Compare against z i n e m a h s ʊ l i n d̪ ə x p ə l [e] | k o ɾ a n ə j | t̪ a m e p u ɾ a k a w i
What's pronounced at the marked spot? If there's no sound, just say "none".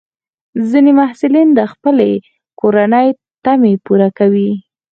e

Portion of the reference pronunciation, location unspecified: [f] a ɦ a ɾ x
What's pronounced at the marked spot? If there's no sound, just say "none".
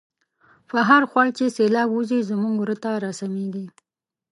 f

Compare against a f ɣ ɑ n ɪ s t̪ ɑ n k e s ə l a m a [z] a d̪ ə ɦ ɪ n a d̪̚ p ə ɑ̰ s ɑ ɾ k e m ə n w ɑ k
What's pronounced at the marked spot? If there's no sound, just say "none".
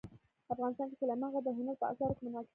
ɣ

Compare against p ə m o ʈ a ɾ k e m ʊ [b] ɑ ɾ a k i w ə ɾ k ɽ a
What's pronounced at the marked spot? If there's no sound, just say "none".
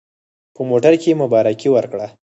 b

